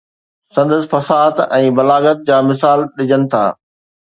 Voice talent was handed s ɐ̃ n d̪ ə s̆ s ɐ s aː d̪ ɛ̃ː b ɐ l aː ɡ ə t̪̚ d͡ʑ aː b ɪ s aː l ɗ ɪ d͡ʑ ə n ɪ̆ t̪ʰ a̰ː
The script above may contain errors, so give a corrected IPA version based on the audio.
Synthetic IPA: s ɐ̃ n d̪ ə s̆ f ɐ s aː t̪ ɛ̃ː b ɐ l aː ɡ ə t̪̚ d͡ʑ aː m ɪ s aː l ɗ ɪ d͡ʑ ə n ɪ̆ t̪ʰ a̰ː

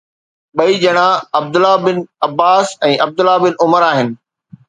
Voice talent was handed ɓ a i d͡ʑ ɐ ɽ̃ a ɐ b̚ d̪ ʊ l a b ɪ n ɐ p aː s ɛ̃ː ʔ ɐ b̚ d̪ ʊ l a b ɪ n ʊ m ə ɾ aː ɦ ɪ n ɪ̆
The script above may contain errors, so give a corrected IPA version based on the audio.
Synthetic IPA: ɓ ɐ i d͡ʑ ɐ ɽ̃ a ɐ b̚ d̪ ʊ l a b ɪ n ɐ b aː s ɛ̃ː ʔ ɐ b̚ d̪ ʊ l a b ɪ n ʊ m ə ɾ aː ɦ ɪ n ɪ̆

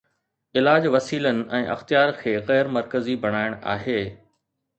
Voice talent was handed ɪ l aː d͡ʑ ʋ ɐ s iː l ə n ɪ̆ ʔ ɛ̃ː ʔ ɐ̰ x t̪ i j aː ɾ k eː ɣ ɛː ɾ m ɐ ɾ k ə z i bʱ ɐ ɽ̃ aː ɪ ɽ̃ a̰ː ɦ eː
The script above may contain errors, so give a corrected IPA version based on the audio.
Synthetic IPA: ɪ l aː d͡ʑ ʋ ɐ s iː l ə n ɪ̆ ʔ ɛ̃ː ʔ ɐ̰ x t̪ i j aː ɾ kʰ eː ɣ ɛː ɾ m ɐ ɾ k ə z i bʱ ɐ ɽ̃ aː ɪ ɽ̃ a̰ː ɦ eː

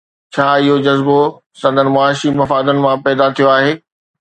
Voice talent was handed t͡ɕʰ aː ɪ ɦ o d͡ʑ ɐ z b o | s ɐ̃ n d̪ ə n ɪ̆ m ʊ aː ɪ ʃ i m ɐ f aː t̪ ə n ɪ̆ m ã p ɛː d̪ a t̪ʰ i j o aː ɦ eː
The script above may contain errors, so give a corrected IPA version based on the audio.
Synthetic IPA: t͡ɕʰ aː ɪ ɦ o d͡ʑ ɐ z b o | s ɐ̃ n d̪ ə n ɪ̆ m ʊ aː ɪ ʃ i m ɐ f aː d̪ ə n ɪ̆ m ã p ɛː d̪ a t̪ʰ i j o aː ɦ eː

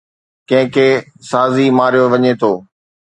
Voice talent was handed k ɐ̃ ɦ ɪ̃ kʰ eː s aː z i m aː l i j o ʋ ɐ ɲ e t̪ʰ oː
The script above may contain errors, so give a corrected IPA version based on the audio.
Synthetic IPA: k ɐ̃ ɦ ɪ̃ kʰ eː s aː z i m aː ɾ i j o ʋ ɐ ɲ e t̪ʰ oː

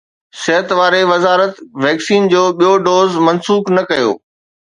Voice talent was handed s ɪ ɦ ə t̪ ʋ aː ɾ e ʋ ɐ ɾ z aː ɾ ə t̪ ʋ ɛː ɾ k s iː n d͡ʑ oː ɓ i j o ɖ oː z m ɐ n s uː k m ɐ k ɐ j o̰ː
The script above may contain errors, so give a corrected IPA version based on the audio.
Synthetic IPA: s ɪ ɦ ə t̪ ʋ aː ɾ e ʋ ɐ z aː ɾ ə t̪ ʋ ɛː k s iː n d͡ʑ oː ɓ i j o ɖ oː z m ɐ n s uː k n ɐ k ɐ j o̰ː

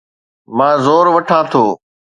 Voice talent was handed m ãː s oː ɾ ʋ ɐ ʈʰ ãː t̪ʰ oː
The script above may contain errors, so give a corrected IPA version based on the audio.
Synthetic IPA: m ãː z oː ɾ ʋ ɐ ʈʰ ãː t̪ʰ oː

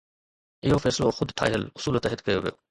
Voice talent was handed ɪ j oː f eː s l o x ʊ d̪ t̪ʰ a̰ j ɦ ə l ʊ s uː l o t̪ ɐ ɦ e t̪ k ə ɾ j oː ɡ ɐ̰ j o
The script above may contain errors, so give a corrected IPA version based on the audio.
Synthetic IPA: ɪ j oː f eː s l o x ʊ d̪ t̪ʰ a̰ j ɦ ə l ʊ s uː l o t̪ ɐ ɦ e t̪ k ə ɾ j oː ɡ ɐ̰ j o

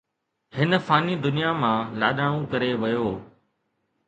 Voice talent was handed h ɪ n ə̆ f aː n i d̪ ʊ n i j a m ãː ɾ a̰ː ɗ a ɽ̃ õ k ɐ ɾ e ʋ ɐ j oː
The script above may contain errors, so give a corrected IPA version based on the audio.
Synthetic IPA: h ɪ n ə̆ f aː n i d̪ ʊ n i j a m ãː l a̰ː ɗ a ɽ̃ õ k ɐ ɾ e ʋ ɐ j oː

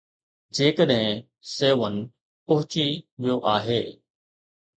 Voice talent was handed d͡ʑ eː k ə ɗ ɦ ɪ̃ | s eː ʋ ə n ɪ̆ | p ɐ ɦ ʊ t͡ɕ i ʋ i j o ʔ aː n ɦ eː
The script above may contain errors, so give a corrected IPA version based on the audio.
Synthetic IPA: d͡ʑ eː k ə ɗ ɦ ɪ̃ | s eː ʋ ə n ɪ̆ | p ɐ ɦ ʊ t͡ɕ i ʋ i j o ʔ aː ɦ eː

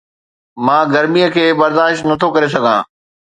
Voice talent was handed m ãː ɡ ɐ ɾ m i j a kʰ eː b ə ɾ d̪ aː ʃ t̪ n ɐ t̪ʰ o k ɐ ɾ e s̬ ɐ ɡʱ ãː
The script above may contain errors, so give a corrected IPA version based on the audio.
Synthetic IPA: m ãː ɡ ɐ ɾ m i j ə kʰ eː b ɐ ɾ d̪ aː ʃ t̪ n ɐ t̪ʰ o k ɐ ɾ e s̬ ɐ ɡʱ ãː

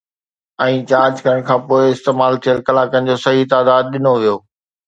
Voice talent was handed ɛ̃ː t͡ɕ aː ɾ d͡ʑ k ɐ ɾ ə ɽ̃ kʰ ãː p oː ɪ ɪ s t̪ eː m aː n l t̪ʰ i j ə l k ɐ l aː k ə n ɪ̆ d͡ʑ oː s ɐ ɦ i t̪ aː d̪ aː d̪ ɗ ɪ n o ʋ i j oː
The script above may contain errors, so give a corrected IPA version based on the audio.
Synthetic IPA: ɛ̃ː t͡ɕ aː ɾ d͡ʑ k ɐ ɾ ə ɽ̃ kʰ ãː p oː ɪ ɪ s t̪ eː m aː l t̪ʰ i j ə l k ɐ l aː k ə n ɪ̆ d͡ʑ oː s ɐ ɦ i t̪ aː d̪ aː d̪ ɗ ɪ n o ʋ i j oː

